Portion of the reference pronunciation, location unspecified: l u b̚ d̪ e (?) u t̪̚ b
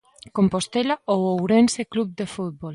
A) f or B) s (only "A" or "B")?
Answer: A